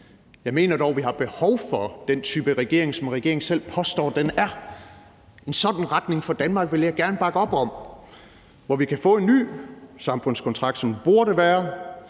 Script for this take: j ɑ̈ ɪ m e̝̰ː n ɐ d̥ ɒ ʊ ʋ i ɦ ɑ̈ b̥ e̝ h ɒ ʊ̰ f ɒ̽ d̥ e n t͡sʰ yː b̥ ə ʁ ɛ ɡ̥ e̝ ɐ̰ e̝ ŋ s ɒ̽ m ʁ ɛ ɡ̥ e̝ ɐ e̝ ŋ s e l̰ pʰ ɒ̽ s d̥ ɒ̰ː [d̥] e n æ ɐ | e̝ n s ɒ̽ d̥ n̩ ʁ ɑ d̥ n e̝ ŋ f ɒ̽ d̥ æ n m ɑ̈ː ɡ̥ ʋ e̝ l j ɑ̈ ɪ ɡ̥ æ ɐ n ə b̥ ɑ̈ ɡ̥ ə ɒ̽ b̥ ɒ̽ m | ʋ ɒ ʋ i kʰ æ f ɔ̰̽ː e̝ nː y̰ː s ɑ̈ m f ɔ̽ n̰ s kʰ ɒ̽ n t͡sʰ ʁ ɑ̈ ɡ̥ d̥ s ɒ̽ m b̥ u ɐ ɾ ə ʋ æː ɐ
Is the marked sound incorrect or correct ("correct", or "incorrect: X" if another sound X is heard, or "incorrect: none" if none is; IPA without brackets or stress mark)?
correct